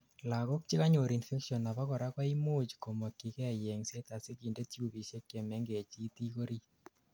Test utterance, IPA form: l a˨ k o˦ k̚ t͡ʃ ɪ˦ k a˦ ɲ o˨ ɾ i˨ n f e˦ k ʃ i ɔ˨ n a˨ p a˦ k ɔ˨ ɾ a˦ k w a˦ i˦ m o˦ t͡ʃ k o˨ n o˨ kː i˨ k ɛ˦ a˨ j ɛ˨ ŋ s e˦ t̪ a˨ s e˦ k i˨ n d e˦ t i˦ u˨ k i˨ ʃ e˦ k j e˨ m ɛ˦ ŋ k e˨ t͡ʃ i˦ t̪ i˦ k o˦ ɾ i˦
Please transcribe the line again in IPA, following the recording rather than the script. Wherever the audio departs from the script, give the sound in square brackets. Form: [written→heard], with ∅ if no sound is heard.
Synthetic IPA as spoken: l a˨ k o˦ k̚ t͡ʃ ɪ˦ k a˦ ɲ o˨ ɾ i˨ n f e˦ k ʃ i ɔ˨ n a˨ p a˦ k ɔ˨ ɾ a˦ k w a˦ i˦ m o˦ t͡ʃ k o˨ [n→m] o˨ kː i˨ k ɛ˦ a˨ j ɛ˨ ŋ s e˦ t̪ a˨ s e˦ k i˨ n d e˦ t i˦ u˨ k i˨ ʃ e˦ k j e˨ m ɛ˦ ŋ [k→ɡ] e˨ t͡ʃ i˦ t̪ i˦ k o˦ ɾ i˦